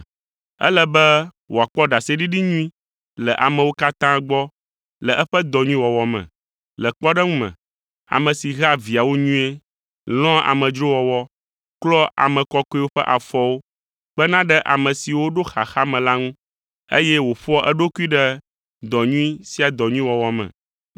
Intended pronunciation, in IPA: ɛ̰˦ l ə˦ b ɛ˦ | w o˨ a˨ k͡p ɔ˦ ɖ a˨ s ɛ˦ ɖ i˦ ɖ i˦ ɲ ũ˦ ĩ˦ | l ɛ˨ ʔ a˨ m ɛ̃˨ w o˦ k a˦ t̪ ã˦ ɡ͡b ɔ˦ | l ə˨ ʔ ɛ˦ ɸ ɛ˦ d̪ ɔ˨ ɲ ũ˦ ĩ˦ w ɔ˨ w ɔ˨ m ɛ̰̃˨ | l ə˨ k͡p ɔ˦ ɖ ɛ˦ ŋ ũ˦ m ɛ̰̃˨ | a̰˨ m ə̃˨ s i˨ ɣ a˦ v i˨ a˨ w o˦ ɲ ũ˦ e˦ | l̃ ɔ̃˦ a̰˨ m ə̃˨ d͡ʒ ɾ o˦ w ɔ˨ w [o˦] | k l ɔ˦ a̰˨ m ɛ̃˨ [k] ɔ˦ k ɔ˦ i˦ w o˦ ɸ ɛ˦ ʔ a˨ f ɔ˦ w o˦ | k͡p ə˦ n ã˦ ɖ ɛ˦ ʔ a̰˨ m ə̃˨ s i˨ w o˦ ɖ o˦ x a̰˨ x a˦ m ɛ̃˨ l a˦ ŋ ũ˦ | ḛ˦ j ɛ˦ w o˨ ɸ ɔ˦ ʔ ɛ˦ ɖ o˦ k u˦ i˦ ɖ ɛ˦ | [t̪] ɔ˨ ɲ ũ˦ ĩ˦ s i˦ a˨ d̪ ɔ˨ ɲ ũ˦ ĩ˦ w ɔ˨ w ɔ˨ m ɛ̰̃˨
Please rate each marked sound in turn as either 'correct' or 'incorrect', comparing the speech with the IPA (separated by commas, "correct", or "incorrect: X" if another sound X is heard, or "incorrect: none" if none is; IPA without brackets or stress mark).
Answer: incorrect: ɔ˦, correct, incorrect: d̪